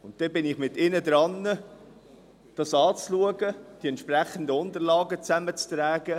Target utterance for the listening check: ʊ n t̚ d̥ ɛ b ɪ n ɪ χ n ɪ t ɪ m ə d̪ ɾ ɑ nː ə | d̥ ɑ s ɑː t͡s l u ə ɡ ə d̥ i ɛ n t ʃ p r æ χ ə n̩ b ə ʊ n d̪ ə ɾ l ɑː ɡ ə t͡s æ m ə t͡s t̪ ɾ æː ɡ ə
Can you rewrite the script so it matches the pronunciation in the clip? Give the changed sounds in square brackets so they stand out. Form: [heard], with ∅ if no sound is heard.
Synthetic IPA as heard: ʊ n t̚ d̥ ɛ b ɪ n ɪ χ [m] ɪ t ɪ [n] ə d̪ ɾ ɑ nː ə | d̥ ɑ s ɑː t͡s l u ə ɡ ə d̥ i ɛ n t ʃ p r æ χ ə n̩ [d] ə ʊ n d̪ ə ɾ l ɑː ɡ ə t͡s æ m ə t͡s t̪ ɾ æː ɡ ə